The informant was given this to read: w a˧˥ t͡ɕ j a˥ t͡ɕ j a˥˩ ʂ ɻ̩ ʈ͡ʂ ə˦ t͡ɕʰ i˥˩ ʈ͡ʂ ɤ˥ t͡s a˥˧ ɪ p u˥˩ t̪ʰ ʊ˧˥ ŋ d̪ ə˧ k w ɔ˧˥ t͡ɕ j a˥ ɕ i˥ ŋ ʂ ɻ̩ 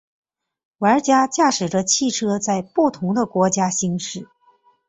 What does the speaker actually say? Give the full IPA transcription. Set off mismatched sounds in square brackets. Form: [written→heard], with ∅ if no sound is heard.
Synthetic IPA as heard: w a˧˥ t͡ɕ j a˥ t͡ɕ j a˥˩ ʂ ɻ̩ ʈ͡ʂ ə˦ t͡ɕʰ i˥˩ [ʈ͡ʂ→ʈ͡ʂʰ] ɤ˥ t͡s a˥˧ ɪ p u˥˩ t̪ʰ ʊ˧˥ ŋ d̪ ə˧ k w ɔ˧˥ t͡ɕ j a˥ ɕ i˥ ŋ ʂ ɻ̩